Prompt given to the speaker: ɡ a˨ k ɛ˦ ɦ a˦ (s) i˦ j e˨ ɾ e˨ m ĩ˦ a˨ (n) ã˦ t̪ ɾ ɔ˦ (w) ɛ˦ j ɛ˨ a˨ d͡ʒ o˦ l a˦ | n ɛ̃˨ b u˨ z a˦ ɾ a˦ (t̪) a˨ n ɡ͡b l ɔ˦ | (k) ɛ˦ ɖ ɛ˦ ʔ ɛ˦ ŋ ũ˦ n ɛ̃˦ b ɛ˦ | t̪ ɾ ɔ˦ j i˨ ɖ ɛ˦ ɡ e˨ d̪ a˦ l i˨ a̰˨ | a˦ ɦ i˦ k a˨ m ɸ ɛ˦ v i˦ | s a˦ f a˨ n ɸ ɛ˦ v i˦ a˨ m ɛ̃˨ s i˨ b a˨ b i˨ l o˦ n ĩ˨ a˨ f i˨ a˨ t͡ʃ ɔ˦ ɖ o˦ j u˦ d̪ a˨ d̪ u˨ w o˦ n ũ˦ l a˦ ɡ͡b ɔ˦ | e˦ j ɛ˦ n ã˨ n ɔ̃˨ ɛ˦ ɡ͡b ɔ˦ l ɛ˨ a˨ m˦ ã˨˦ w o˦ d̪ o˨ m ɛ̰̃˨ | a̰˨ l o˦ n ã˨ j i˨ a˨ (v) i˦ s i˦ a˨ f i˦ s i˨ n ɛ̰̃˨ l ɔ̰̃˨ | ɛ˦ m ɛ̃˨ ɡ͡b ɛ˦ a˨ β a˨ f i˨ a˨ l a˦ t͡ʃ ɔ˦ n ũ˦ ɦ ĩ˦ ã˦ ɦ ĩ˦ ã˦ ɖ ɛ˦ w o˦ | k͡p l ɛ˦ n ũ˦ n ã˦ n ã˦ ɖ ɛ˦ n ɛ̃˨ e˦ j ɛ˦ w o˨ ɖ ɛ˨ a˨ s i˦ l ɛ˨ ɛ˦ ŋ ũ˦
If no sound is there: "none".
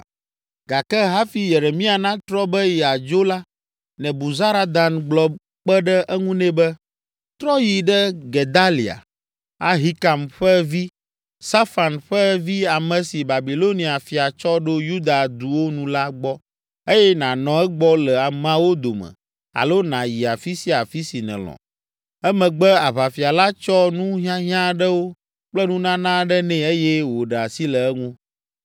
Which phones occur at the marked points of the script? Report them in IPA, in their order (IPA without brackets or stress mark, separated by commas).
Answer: f, n, b, d̪, k͡p, f